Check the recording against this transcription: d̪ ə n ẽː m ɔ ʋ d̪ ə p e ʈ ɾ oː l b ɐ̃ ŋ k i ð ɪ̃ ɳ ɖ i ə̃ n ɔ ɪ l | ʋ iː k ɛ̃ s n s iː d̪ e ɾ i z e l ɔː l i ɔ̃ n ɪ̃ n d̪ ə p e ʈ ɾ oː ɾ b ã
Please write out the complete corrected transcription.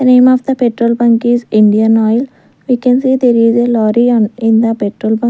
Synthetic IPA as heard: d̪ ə n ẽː m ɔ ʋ d̪ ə p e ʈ ɾ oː l b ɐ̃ ŋ k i z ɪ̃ ɳ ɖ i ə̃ n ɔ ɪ l | ʋ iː k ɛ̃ n s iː d̪ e ɾ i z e l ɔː ɾ i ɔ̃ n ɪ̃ n d̪ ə p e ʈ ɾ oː l b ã